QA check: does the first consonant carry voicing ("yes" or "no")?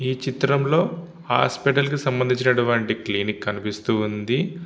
no